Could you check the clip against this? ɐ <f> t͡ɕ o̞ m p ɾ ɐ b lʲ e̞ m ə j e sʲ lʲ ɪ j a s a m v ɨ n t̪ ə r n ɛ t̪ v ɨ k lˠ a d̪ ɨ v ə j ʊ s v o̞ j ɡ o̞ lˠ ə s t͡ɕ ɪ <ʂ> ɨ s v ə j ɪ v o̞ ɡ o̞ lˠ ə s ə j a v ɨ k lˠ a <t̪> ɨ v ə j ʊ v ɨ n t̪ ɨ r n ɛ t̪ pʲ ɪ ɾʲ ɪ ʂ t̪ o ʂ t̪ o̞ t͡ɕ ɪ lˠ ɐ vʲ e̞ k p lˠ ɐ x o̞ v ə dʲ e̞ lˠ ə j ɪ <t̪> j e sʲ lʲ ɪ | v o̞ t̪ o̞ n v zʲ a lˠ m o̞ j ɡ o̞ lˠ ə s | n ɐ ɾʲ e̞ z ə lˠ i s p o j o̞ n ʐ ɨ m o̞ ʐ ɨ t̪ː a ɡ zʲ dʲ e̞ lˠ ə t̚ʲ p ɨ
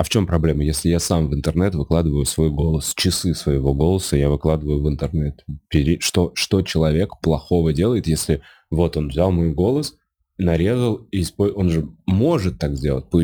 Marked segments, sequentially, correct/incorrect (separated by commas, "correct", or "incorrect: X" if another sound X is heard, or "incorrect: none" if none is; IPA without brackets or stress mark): correct, incorrect: s, incorrect: d̪, correct